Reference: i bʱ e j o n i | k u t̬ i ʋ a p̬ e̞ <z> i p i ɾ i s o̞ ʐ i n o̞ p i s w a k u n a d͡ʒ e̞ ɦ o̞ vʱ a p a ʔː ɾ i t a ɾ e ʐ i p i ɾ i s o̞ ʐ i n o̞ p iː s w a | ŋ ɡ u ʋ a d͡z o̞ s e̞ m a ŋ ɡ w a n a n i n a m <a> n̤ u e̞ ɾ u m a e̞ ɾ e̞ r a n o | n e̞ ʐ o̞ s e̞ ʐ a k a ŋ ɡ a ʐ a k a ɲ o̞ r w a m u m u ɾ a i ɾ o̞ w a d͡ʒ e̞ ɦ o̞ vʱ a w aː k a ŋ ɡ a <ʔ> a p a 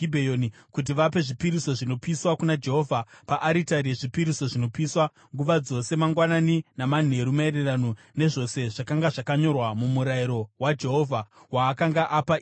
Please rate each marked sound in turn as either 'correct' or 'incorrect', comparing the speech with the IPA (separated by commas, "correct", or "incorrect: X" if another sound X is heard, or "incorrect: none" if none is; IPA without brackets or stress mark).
incorrect: ʐ, correct, correct